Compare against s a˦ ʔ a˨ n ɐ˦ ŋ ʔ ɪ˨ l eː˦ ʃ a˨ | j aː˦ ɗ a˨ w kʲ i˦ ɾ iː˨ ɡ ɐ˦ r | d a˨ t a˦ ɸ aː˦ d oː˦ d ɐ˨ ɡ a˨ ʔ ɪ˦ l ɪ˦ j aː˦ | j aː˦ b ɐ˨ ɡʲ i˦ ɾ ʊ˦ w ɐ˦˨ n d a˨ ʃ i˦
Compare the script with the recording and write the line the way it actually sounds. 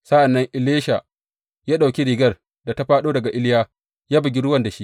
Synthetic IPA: s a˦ ʔ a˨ nː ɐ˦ ŋ ʔ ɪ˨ l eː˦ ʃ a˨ | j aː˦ ɗ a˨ w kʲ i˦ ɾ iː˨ ɡ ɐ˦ r | d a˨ t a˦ ɸ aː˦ ɗ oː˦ d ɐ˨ ɡ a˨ ʔ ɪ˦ l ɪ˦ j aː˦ | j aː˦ b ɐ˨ ɡʲ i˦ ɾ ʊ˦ w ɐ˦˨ n d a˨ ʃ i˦